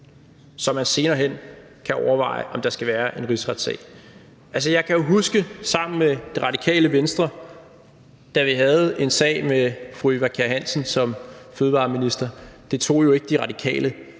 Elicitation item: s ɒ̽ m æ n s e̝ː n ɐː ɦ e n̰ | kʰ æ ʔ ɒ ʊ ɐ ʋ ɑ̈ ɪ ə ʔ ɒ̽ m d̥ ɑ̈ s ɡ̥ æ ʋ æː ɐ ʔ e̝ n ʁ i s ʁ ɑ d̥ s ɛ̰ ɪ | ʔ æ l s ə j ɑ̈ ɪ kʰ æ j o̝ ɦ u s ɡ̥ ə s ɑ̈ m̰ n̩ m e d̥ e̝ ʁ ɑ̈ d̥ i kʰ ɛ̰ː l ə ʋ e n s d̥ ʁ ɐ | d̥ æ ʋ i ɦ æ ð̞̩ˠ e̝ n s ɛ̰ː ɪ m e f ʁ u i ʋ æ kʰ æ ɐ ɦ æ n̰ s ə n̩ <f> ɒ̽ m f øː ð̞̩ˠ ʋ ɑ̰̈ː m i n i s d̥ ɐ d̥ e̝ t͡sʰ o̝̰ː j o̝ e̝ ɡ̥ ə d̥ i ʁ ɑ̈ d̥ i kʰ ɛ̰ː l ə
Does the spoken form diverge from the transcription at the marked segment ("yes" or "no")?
yes